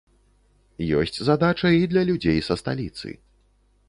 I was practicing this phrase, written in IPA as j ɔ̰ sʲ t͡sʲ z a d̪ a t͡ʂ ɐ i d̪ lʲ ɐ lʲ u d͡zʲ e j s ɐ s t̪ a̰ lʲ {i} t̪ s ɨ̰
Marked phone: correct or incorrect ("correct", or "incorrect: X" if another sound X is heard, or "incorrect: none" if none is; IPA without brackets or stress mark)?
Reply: correct